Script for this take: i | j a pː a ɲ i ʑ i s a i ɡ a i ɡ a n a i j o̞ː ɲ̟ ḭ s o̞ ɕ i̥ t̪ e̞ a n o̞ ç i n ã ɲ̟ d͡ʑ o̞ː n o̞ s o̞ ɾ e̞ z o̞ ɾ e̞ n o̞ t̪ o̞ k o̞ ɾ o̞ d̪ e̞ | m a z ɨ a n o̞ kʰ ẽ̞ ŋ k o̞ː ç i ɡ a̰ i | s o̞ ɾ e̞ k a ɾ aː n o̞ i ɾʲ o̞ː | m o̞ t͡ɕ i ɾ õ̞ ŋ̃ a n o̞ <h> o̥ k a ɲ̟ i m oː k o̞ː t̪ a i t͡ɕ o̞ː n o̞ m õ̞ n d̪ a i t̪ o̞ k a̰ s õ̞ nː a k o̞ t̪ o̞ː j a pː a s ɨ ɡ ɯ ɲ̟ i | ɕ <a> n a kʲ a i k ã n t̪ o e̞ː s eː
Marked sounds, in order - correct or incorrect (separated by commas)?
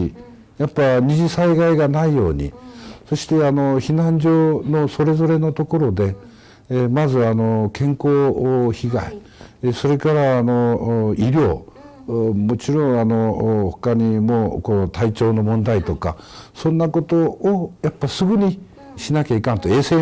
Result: correct, incorrect